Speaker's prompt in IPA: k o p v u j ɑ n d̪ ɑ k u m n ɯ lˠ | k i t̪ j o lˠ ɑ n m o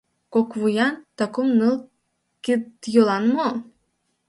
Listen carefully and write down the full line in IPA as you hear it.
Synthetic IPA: k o k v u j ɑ n t̪ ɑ k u m n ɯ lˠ | k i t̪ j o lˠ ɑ n m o

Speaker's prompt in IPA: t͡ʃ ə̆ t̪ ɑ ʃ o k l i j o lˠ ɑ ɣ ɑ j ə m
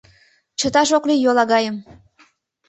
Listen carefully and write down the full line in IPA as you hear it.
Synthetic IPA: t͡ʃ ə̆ t̪ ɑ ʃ o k l i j o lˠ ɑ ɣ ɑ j ə m

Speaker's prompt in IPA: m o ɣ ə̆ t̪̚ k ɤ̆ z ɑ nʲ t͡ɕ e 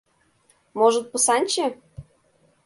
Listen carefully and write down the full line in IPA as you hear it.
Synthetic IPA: m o ʒ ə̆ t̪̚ p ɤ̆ s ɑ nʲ t͡ɕ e

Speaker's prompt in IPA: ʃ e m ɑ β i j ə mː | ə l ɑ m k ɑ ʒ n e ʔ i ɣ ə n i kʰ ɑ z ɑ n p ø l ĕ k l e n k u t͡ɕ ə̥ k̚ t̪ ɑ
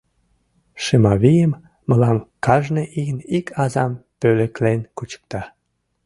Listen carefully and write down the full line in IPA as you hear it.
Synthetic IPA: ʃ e m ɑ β i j ə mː | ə l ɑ m k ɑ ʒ n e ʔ i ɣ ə n i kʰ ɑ z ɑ m p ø l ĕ k l e n k u t͡ɕ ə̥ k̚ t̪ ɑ

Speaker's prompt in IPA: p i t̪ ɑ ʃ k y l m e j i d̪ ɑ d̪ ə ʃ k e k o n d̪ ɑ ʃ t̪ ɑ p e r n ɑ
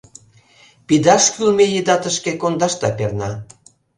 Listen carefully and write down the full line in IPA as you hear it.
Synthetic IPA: p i d̪ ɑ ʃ k y l m e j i d̪ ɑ t̪ ə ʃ k e k o n d̪ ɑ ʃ t̪ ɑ p e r n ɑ

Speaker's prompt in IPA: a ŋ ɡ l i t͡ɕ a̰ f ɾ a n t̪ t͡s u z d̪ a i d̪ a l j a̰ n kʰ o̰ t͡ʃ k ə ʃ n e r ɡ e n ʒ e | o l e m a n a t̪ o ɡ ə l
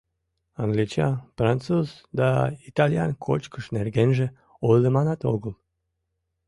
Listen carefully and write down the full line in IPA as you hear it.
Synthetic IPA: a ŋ ɡ l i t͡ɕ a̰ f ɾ a n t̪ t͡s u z d̪ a i t̪ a l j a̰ n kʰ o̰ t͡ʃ k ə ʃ n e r ɡ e n ʒ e | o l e m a n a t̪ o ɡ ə l

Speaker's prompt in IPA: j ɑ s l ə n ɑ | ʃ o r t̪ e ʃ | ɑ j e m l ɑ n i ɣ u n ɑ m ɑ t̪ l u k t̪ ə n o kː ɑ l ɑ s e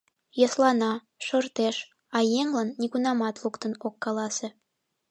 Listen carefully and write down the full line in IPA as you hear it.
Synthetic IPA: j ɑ s l ɑ n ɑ | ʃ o r t̪ e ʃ | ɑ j e ŋ l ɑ nː i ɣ u n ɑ m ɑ t̪ l u k t̪ ə n o kː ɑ l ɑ s e

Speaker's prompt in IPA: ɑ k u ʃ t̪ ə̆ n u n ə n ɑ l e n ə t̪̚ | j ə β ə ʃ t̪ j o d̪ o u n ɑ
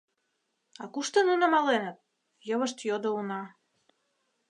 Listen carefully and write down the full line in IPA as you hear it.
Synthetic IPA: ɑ k u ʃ t̪ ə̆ n u n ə m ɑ l e n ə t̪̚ | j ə β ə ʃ t̪ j o d̪ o u n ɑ

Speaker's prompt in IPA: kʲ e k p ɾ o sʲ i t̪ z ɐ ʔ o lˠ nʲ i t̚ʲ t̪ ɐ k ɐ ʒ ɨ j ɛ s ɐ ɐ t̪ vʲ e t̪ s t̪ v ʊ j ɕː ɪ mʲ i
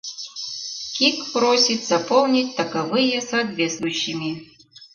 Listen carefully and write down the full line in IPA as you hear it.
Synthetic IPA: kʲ i k p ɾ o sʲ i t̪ z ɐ p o lˠ nʲ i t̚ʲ t̪ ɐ k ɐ v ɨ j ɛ s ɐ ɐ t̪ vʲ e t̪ s t̪ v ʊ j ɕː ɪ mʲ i

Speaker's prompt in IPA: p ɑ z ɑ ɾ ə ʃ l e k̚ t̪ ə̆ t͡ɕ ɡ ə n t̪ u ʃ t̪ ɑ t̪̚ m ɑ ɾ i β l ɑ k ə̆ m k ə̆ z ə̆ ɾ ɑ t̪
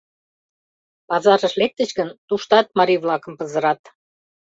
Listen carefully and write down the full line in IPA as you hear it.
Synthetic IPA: p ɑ z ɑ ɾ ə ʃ l e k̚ t̪ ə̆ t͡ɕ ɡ ə n t̪ u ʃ t̪ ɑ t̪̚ m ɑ ɾ i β l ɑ k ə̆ m p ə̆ z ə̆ ɾ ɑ t̪

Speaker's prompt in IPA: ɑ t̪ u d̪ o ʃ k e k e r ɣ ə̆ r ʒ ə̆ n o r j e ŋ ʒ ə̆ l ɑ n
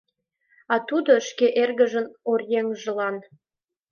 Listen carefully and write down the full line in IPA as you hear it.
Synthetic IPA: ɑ t̪ u d̪ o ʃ k e ʔ e r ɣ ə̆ ʒ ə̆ n o r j e ŋ ʒ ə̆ l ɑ n

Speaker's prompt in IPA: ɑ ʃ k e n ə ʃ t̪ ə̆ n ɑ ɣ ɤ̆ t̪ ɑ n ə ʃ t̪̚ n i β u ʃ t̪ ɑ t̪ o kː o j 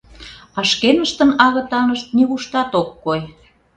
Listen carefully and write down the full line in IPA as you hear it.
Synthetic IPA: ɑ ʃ k e n ə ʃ t̪ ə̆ n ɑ ɣ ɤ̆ t̪ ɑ n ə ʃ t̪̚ n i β u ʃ t̪ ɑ t̪ o kː o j

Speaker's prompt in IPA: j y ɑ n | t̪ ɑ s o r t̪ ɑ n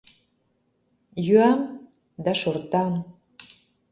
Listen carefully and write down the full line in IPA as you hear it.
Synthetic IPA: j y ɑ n | d̪ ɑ ʃ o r t̪ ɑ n

